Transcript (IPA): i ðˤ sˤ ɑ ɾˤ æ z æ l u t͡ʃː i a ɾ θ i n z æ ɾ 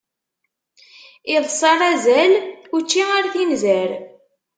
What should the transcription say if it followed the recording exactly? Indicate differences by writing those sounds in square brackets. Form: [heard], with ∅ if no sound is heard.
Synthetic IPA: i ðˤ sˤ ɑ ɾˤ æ z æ l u t͡ʃː i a ɾ θ i n z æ ɾ